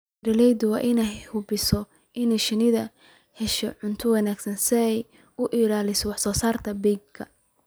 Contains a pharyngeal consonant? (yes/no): yes